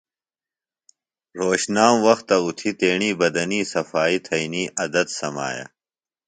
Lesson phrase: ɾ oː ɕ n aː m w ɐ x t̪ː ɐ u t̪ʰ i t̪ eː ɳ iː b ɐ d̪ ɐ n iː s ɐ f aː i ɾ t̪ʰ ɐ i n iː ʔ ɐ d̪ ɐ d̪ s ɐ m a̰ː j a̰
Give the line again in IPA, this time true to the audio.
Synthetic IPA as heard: ɾ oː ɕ n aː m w ɐ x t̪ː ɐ u t̪ʰ i t̪ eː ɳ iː b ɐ d̪ ɐ n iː s ɐ f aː i t̪ʰ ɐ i n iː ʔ ɐ d̪ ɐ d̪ s ɐ m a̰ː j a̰